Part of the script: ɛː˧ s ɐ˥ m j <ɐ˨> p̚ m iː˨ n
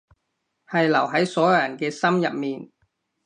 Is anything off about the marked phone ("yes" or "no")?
no